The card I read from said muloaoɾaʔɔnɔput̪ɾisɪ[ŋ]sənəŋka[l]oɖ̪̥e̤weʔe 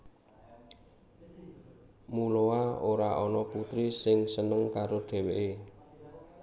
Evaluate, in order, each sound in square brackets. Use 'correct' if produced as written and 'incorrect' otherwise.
correct, incorrect

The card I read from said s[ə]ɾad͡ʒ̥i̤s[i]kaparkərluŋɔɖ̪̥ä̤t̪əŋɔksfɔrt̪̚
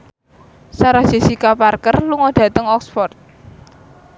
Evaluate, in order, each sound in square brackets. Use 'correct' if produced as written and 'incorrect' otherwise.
incorrect, correct

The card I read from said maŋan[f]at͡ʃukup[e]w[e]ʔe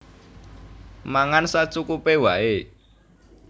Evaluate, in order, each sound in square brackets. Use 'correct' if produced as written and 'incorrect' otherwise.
incorrect, correct, incorrect

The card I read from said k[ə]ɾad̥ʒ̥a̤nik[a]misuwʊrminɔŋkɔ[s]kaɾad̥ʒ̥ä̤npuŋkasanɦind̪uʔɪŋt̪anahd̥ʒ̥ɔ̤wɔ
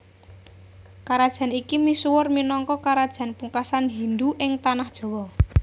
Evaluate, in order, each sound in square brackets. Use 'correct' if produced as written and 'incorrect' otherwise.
incorrect, incorrect, incorrect

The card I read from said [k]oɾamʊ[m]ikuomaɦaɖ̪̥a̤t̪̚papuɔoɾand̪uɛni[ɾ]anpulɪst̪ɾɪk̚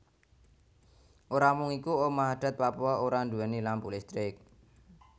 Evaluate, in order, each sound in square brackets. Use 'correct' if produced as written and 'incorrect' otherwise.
incorrect, incorrect, incorrect

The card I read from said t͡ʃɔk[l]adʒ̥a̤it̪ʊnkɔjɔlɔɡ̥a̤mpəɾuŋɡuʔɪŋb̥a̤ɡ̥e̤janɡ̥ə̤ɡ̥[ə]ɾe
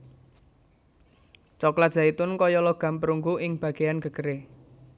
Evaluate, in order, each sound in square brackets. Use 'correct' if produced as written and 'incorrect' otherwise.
correct, correct

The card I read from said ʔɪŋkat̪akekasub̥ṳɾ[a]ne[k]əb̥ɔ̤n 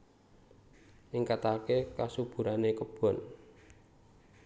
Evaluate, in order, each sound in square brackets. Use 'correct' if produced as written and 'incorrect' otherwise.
correct, correct

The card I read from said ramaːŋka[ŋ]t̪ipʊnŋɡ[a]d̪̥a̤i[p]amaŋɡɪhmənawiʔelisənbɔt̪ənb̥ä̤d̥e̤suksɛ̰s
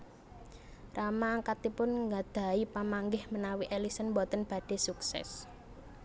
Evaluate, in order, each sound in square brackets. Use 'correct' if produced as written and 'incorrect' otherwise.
incorrect, correct, correct

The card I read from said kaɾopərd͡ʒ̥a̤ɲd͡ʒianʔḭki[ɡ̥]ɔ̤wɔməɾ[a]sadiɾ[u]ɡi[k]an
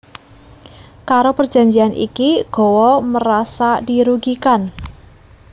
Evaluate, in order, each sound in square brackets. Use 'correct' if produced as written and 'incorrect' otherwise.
correct, correct, correct, correct

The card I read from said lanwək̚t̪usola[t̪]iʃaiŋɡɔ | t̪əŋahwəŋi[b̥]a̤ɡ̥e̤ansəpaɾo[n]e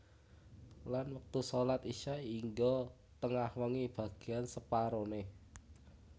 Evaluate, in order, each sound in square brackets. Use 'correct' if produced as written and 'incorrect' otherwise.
correct, correct, correct

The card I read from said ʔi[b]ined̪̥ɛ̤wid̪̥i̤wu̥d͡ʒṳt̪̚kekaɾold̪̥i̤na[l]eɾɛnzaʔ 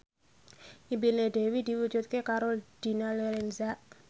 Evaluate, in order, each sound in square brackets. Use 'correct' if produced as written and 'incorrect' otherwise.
correct, correct

